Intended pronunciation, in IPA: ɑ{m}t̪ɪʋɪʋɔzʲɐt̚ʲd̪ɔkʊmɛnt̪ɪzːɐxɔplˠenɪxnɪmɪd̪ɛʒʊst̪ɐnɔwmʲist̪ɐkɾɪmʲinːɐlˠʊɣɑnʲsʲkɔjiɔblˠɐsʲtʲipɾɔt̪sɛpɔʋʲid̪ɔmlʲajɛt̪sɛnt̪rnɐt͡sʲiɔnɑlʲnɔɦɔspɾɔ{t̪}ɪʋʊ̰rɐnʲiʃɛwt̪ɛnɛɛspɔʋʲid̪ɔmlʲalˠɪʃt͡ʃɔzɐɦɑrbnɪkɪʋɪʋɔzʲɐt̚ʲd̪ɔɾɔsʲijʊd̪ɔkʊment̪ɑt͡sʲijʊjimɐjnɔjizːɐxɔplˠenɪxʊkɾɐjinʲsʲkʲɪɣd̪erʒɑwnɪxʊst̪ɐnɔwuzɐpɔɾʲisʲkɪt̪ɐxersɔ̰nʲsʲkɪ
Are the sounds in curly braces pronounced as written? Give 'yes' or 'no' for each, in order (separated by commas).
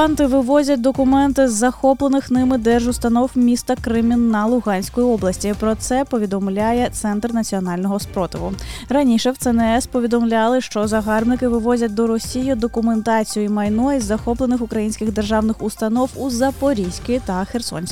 no, yes